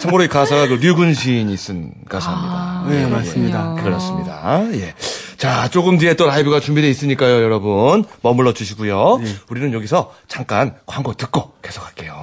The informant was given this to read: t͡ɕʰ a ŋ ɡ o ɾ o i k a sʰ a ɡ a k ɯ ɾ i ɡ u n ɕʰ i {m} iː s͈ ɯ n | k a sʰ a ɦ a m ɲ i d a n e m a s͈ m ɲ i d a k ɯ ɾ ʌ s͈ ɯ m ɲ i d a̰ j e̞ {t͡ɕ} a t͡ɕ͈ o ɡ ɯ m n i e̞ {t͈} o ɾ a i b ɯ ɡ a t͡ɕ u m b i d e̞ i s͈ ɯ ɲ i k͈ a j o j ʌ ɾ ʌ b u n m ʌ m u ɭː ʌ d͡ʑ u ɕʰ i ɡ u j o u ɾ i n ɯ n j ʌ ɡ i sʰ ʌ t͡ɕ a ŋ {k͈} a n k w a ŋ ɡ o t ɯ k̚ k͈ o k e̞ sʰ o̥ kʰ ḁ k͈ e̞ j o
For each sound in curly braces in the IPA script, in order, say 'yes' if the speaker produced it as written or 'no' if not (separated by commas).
no, yes, yes, yes